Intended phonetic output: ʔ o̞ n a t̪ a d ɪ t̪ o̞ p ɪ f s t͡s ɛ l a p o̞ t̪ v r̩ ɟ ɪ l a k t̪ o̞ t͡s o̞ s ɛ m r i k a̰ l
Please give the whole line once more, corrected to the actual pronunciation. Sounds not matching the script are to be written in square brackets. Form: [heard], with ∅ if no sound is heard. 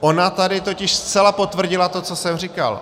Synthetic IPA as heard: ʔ o̞ n a t̪ a d ɪ t̪ o̞ [c] ɪ [ʃ] s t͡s ɛ l a p o̞ t̪ v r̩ ɟ ɪ l a [∅] t̪ o̞ t͡s o̞ s ɛ m r i k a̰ l